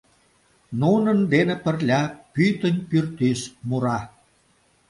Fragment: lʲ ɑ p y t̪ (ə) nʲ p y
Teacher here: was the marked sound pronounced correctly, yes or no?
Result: yes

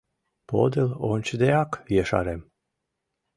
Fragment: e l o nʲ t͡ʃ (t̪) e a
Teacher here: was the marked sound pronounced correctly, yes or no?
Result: no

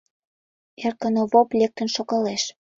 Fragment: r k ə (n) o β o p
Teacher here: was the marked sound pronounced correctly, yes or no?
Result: yes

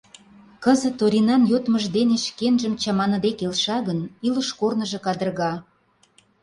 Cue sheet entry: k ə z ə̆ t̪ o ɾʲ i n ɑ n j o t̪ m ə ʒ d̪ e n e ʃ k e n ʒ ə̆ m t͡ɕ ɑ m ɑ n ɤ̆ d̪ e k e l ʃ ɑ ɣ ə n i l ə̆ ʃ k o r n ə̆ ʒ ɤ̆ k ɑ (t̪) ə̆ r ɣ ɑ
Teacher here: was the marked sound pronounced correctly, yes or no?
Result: no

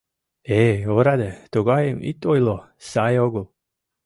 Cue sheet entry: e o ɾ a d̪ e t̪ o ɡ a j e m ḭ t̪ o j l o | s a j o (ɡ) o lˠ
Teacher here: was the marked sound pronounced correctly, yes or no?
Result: yes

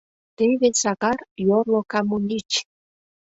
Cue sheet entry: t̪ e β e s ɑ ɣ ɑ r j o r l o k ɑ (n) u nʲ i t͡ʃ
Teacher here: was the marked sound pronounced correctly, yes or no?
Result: no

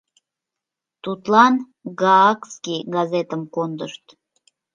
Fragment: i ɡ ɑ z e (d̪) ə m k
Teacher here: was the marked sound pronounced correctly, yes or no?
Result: no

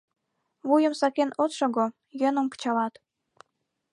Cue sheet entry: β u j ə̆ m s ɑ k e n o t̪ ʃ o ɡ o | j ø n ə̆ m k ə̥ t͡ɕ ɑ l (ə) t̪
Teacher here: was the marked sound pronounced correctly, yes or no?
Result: no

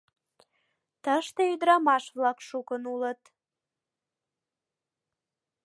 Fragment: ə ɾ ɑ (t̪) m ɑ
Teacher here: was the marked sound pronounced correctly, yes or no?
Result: no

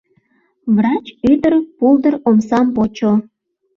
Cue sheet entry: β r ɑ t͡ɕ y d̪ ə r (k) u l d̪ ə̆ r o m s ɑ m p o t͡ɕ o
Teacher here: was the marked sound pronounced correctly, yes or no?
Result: no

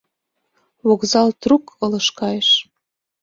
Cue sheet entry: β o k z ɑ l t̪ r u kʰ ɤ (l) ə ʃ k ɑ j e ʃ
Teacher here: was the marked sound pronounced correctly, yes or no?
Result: yes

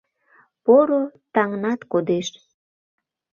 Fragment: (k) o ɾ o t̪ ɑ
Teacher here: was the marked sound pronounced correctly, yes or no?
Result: no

